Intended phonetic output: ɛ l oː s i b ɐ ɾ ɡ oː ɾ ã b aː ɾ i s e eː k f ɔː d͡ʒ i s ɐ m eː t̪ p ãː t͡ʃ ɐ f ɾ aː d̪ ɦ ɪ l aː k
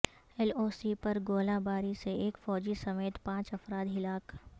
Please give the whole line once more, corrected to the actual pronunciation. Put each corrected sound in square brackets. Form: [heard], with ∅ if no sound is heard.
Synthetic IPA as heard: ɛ l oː s i [p] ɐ ɾ ɡ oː [l] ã b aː ɾ i s e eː k f ɔː d͡ʒ i s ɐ m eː t̪ p ãː t͡ʃ ɐ f ɾ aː d̪ ɦ ɪ l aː k